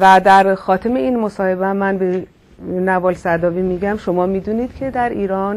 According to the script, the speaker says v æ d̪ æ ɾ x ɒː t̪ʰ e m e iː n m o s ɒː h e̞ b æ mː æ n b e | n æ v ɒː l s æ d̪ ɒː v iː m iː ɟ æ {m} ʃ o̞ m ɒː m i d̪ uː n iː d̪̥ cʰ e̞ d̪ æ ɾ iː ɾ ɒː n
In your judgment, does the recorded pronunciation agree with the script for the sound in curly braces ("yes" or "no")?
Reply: yes